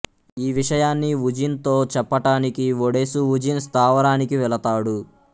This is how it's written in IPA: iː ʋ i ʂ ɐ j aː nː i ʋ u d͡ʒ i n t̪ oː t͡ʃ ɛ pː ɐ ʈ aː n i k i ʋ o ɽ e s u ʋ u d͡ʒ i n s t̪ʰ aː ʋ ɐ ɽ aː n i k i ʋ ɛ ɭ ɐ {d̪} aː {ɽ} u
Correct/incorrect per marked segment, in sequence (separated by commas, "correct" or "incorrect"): incorrect, correct